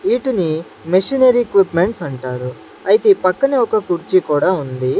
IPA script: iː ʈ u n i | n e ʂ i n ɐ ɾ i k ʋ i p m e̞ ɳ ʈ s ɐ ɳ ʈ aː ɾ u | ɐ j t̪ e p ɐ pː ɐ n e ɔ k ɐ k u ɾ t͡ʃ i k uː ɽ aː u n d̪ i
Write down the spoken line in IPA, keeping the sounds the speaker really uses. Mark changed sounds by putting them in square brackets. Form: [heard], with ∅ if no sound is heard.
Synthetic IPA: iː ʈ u n i | [m] e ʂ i n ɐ ɾ i k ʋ i p m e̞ ɳ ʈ s ɐ ɳ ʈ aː ɾ u | ɐ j t̪ e p ɐ [kː] ɐ n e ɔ k ɐ k u ɾ t͡ʃ i k uː ɽ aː u n d̪ i